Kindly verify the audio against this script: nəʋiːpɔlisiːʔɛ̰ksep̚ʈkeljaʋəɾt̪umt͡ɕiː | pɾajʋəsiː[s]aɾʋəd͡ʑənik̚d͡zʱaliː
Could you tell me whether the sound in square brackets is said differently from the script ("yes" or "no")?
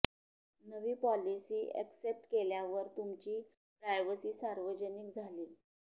no